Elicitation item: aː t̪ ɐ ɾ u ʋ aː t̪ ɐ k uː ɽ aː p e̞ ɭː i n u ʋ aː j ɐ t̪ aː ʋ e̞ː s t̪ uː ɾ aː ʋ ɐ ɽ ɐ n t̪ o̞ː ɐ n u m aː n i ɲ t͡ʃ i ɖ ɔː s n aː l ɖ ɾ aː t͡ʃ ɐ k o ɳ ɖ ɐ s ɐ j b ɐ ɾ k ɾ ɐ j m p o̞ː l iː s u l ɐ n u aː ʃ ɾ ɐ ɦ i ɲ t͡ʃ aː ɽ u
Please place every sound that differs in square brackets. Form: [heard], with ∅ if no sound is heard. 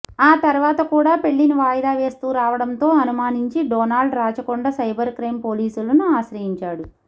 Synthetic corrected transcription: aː t̪ ɐ ɾ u ʋ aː t̪ ɐ k uː ɽ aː p e̞ ɭː i n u ʋ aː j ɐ [d̪] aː ʋ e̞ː s t̪ uː ɾ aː ʋ ɐ ɽ ɐ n t̪ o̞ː ɐ n u m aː n i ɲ t͡ʃ i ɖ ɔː [∅] n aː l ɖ ɾ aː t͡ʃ ɐ k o ɳ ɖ ɐ s ɐ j b ɐ ɾ k ɾ ɐ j m p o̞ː l iː s u l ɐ n u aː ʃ ɾ ɐ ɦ i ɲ t͡ʃ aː ɽ u